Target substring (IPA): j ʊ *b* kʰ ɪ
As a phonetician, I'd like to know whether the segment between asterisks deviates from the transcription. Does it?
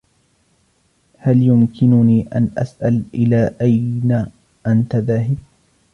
yes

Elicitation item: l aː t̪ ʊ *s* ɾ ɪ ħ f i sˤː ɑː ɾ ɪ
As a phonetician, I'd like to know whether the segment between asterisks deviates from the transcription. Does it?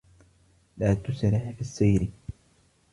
no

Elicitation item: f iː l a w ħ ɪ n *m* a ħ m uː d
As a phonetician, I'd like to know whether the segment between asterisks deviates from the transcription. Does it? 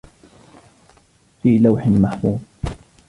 no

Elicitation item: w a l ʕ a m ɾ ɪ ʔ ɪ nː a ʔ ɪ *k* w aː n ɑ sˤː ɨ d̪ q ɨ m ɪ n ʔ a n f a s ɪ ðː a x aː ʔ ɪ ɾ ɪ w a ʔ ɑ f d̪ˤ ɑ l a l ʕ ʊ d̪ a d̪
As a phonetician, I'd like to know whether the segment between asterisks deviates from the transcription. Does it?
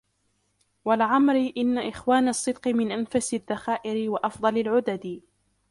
yes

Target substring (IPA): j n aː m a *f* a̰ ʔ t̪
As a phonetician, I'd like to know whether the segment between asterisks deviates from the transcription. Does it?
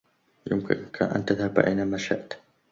yes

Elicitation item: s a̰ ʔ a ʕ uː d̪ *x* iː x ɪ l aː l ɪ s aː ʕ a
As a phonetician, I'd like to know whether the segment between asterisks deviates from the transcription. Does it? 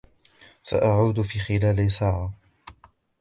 yes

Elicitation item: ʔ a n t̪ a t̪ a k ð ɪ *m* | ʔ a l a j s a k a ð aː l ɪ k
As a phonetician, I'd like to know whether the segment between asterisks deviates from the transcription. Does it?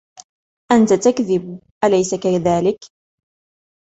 yes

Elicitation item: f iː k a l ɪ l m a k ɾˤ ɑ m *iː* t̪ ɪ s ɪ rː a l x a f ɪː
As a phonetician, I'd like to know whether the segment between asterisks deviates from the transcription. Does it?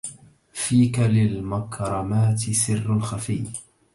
yes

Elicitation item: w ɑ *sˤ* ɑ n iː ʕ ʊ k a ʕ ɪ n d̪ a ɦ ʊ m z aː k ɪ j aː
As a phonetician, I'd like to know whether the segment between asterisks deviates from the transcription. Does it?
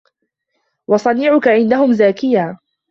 no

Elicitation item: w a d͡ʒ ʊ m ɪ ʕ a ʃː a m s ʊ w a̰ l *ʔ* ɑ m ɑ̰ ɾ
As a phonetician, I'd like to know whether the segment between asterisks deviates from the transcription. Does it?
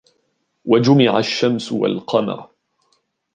yes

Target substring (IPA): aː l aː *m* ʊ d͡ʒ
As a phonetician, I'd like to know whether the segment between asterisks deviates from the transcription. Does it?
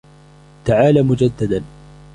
no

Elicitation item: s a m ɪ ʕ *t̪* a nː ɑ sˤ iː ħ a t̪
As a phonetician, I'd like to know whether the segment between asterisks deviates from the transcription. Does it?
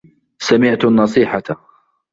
no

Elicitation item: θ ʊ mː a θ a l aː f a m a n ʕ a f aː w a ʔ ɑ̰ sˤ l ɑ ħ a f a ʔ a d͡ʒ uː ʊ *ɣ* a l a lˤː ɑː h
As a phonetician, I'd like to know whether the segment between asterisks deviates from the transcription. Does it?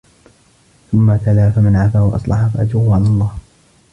yes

